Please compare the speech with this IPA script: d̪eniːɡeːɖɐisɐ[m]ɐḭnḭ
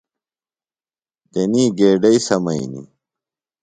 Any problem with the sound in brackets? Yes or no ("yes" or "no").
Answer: no